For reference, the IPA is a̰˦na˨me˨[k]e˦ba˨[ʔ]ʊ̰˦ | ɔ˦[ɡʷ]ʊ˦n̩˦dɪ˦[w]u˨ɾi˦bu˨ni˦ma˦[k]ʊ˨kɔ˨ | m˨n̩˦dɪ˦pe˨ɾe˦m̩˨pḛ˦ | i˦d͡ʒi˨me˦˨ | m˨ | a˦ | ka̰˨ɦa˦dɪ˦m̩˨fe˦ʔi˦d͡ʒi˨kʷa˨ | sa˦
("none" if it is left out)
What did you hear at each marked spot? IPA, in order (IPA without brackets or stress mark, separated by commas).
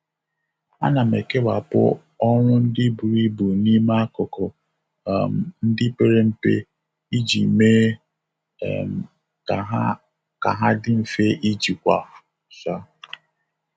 k, p, ŋʷ, b, k